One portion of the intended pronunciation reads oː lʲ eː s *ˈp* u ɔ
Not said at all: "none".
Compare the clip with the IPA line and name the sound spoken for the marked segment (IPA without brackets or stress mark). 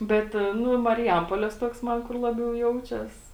t